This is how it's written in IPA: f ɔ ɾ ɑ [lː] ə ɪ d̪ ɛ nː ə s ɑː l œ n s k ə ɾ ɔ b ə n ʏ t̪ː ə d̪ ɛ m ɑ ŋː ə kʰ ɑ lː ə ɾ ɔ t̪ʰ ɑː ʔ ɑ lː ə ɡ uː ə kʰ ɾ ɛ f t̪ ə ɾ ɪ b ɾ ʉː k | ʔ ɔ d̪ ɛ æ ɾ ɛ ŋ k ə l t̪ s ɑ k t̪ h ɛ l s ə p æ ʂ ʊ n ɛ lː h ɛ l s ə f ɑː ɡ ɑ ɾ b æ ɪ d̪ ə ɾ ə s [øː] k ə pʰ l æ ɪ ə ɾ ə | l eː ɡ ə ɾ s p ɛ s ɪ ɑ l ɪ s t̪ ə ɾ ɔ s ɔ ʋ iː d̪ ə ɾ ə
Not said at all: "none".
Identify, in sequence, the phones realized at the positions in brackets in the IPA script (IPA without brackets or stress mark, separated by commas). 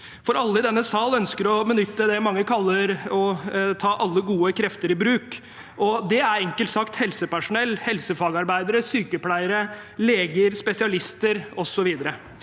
lː, yː